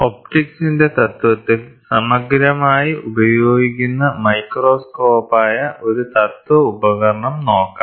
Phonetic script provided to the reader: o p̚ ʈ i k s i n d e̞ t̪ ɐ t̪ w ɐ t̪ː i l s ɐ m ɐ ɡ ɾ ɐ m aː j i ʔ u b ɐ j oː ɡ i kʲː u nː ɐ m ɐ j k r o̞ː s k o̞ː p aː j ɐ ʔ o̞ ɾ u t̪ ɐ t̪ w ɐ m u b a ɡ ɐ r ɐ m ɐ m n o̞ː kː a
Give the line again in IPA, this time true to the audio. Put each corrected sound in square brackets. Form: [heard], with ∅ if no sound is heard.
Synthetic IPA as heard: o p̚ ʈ i k s i n d e̞ t̪ ɐ t̪ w ɐ t̪ː i l s ɐ m ɐ ɡ ɾ ɐ m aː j i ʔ u b ɐ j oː ɡ i kʲː u nː ɐ m ɐ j k r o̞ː s k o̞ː p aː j ɐ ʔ o̞ ɾ u t̪ ɐ t̪ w ɐ [∅] u b [ɐ] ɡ ɐ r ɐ [ɳ] ɐ m n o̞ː kː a

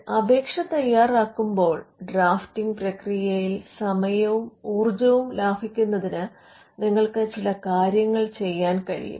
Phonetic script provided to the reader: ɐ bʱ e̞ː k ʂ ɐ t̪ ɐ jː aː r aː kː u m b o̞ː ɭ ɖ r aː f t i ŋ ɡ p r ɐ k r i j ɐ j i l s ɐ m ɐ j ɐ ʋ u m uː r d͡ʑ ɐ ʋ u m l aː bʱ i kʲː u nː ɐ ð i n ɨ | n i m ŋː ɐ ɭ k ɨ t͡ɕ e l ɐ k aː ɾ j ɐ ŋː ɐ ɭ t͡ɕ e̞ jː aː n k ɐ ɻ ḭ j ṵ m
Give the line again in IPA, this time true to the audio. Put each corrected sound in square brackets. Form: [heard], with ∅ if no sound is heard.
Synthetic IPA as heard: ɐ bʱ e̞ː k ʂ ɐ t̪ ɐ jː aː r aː kː u m b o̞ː ɭ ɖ r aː f t i ŋ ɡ p r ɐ k r i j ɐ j i l s ɐ m ɐ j ɐ ʋ u m uː r d͡ʑ ɐ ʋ u m l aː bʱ i kʲː u nː ɐ ð i n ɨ | n i [∅] ŋː ɐ ɭ k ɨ t͡ɕ [i] l ɐ k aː ɾ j ɐ ŋː ɐ ɭ t͡ɕ e̞ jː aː n k ɐ ɻ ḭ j ṵ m

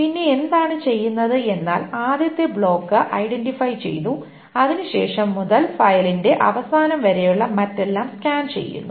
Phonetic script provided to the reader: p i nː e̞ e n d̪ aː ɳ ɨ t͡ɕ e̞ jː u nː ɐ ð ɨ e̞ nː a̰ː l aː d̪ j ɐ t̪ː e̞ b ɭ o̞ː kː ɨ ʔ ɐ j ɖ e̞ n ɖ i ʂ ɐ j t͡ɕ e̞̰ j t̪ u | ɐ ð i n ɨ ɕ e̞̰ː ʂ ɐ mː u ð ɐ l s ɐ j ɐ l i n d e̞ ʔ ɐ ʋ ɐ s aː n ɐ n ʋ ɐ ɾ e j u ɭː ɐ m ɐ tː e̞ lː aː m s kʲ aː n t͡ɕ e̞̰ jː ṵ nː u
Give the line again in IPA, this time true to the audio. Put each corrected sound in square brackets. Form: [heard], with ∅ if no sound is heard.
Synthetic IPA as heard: p i nː e̞ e n d̪ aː ɳ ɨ t͡ɕ e̞ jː u nː ɐ ð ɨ e̞ nː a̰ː l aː d̪ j ɐ t̪ː e̞ b ɭ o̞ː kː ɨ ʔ ɐ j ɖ e̞ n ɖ i [f] ɐ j t͡ɕ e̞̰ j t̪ u | ɐ ð i n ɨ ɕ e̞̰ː ʂ ɐ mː u ð ɐ l [f] ɐ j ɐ l i n d e̞ ʔ ɐ ʋ ɐ s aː n ɐ [m] ʋ ɐ ɾ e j u ɭː ɐ m ɐ tː e̞ lː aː m s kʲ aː n t͡ɕ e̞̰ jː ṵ nː u

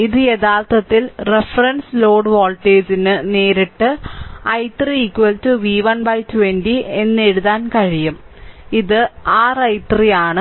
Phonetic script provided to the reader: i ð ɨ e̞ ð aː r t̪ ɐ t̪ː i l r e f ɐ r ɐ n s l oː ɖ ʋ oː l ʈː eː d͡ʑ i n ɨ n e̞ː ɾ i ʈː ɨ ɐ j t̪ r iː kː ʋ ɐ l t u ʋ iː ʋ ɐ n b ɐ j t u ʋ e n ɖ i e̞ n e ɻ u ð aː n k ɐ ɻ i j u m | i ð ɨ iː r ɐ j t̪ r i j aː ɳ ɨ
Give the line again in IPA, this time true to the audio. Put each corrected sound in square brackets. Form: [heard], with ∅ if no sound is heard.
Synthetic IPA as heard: i ð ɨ e̞ ð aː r t̪ ɐ t̪ː i l r e f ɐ r ɐ n s l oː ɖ ʋ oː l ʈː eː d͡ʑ i n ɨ n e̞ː ɾ i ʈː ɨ ɐ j t̪ r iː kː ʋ ɐ l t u ʋ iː ʋ ɐ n b ɐ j t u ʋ e n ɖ i e̞ [nː] e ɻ u ð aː n k ɐ ɻ i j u m | i ð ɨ [aː] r ɐ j t̪ r i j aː ɳ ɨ

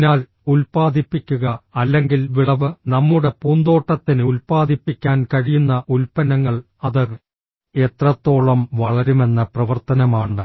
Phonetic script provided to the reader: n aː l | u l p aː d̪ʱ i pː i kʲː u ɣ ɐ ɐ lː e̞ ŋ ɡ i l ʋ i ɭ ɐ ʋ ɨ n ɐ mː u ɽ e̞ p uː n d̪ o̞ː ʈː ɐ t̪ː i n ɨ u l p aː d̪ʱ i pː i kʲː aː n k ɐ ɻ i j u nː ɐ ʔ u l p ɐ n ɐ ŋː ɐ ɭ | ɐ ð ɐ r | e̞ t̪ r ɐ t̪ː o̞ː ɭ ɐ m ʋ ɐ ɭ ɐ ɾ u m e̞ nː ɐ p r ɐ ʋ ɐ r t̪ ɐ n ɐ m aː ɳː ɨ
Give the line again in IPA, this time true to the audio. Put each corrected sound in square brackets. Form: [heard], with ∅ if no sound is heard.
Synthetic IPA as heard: n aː l | u l p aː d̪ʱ i pː i kʲː u ɣ ɐ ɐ lː e̞ ŋ ɡ i l ʋ i ɭ ɐ ʋ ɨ n ɐ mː u ɽ e̞ p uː n d̪ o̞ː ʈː ɐ t̪ː i n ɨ u l p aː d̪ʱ i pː i kʲː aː n k ɐ ɻ i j u nː ɐ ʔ u l p ɐ n ɐ ŋː ɐ ɭ | ɐ ð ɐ r | e̞ t̪ r ɐ t̪ː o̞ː ɭ ɐ m ʋ ɐ ɭ ɐ ɾ u m e̞ nː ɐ p r ɐ ʋ ɐ r t̪ ɐ n ɐ m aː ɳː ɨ

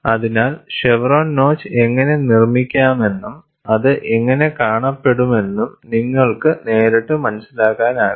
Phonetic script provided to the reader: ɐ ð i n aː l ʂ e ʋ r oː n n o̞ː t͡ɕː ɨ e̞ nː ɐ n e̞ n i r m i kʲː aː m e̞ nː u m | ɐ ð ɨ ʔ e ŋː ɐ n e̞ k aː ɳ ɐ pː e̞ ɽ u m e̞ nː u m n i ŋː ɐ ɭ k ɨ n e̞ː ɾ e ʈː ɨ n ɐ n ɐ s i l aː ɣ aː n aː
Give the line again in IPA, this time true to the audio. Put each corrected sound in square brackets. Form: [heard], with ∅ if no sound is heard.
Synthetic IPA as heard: ɐ ð i n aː l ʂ e ʋ r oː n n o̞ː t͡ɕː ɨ e̞ [ŋː] ɐ n e̞ n i r m i kʲː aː m e̞ nː u m | ɐ ð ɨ ʔ e ŋː ɐ n e̞ k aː ɳ ɐ pː e̞ ɽ u m e̞ nː u m n i ŋː ɐ ɭ k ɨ n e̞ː ɾ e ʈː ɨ [m] ɐ n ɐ s i l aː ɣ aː n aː

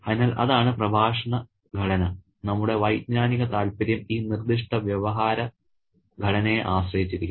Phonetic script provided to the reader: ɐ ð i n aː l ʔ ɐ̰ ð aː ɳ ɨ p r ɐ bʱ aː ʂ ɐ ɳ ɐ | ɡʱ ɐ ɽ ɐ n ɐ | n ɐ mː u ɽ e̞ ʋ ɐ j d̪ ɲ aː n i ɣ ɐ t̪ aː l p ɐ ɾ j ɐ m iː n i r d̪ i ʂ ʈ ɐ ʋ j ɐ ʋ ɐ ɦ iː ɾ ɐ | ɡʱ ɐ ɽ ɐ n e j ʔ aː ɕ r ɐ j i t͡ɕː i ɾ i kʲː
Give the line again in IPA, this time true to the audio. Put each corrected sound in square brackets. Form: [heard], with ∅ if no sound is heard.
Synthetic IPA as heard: ɐ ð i n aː l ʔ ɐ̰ ð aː ɳ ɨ p r ɐ bʱ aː ʂ ɐ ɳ ɐ | ɡʱ ɐ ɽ ɐ n ɐ | n ɐ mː u ɽ e̞ ʋ ɐ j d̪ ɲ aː n i ɣ ɐ t̪ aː l p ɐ ɾ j ɐ m iː n i r d̪ i ʂ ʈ ɐ ʋ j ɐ ʋ ɐ ɦ [aː] ɾ ɐ | ɡʱ ɐ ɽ ɐ n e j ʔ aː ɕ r ɐ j i t͡ɕː i ɾ i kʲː

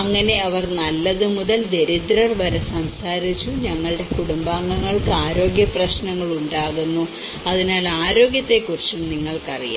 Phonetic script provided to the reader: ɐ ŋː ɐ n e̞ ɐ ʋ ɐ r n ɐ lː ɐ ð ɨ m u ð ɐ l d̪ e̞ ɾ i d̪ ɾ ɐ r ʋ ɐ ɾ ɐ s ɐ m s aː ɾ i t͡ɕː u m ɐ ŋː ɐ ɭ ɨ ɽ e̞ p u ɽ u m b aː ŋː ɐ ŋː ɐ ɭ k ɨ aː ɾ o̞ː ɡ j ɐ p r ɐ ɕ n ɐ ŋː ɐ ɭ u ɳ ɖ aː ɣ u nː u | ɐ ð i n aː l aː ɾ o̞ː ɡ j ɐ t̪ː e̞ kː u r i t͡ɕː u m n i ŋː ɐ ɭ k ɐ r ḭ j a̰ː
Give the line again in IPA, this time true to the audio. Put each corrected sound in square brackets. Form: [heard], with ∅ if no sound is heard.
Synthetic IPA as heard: ɐ ŋː ɐ n e̞ ɐ ʋ ɐ r n ɐ lː ɐ ð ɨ m u ð ɐ l d̪ e̞ ɾ i d̪ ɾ ɐ r ʋ ɐ ɾ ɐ s ɐ m s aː ɾ i t͡ɕː u [ɲ] ɐ ŋː ɐ ɭ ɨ ɽ e̞ [k] u ɽ u m b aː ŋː ɐ ŋː ɐ ɭ k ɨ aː ɾ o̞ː ɡ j ɐ p r ɐ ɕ n ɐ ŋː ɐ ɭ u ɳ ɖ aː ɣ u nː u | ɐ ð i n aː l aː ɾ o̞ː ɡ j ɐ t̪ː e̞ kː u r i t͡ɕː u m n i ŋː ɐ ɭ k ɐ r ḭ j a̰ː

